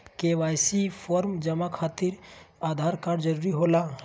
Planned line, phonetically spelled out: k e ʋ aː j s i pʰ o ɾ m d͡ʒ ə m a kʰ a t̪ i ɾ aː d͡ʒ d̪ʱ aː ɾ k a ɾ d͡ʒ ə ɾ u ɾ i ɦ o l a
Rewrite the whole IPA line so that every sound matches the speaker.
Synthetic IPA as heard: k e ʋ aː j s i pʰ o ɾ m d͡ʒ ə m a kʰ a t̪ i ɾ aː d̪ʱ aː ɾ k a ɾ d͡ʒ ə ɾ u ɾ i ɦ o l a